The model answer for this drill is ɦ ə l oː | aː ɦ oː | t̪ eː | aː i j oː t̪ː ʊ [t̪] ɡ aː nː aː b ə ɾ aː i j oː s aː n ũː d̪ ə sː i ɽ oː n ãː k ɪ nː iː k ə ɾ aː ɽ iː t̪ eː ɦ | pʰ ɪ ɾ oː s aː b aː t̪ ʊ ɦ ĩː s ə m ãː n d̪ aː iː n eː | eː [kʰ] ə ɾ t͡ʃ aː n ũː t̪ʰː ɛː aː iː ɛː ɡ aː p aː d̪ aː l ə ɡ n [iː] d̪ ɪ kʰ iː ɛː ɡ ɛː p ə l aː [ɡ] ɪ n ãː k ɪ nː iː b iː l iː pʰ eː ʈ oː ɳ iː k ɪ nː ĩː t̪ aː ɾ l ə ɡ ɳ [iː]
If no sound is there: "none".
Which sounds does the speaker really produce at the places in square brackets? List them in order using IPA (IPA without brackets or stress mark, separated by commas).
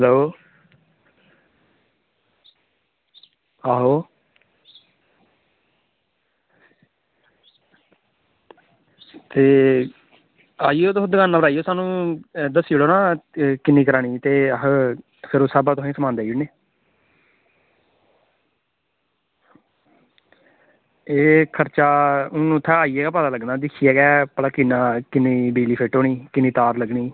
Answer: d̪, kʰ, aː, k, iː